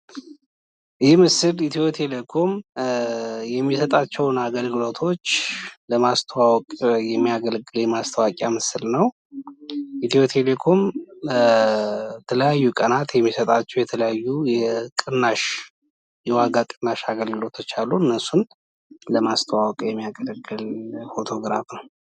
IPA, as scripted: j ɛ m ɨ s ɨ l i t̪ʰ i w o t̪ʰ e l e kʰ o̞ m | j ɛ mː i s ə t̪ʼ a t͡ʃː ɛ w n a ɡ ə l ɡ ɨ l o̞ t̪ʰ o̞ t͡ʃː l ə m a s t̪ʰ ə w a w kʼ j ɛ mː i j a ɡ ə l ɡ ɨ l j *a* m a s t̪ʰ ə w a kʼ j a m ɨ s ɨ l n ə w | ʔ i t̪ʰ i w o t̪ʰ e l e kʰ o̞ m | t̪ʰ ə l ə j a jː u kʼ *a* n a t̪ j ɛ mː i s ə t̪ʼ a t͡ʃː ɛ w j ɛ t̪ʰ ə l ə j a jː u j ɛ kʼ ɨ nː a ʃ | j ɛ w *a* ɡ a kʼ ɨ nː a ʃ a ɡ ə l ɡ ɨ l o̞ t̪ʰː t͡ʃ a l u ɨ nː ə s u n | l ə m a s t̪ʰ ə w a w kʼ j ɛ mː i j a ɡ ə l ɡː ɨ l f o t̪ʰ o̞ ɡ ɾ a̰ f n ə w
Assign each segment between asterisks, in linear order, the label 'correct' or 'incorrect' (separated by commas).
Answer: incorrect, incorrect, correct